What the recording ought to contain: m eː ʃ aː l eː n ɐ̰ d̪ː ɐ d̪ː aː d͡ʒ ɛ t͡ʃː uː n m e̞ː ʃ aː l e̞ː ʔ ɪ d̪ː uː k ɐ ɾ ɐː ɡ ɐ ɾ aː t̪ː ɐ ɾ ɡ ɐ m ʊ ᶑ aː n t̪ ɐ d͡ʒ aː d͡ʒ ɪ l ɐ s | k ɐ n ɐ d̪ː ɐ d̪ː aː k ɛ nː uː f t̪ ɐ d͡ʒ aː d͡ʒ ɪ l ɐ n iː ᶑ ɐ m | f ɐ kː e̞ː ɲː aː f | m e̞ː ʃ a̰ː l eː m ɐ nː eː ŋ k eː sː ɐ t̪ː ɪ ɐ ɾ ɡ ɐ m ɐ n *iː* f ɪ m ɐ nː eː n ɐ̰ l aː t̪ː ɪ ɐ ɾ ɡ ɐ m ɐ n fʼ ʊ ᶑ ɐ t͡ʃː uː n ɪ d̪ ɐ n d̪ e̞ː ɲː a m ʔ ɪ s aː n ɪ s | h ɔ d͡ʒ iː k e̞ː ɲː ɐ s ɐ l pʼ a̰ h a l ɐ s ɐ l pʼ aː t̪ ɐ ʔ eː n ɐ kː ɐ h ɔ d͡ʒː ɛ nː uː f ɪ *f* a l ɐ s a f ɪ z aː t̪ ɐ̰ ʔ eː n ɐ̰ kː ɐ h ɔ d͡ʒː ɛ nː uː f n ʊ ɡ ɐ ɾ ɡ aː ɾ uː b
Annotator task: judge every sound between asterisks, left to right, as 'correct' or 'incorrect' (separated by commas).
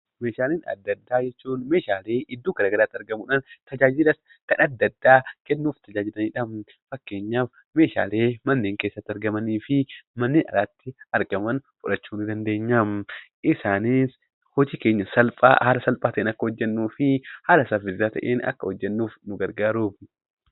correct, incorrect